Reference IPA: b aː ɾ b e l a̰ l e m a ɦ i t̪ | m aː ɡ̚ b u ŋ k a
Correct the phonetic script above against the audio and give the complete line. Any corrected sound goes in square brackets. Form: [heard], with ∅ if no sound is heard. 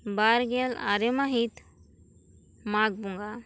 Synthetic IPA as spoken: b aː ɾ [ɡ] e l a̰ [ɾ] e m a ɦ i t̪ | m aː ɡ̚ b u ŋ [ɡ] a